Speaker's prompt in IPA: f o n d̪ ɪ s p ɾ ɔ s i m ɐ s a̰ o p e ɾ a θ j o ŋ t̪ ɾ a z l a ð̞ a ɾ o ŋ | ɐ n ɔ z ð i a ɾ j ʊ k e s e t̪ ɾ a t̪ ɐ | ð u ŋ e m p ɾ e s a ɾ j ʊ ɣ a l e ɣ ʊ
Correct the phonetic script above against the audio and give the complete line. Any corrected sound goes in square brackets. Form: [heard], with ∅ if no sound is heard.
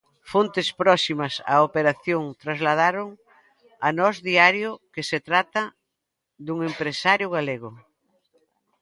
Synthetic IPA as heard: f o n [t̪] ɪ s p ɾ ɔ s i m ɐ s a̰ o p e ɾ a θ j o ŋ t̪ ɾ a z l a ð̞ a ɾ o ŋ | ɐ n ɔ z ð i a ɾ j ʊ k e s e t̪ ɾ a t̪ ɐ | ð u ŋ e m p ɾ e s a ɾ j ʊ ɣ a l e ɣ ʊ